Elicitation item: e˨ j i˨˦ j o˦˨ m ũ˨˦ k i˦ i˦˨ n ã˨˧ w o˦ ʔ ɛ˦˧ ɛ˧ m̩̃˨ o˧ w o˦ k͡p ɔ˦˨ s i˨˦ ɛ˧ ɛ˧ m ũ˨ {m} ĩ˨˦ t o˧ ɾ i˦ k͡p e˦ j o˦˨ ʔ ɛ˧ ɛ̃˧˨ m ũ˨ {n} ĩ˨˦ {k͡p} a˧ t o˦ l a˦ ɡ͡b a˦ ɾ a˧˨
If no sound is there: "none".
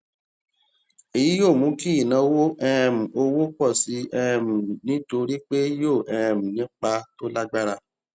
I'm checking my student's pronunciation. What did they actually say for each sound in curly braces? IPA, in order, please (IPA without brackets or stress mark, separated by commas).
n, n, k͡p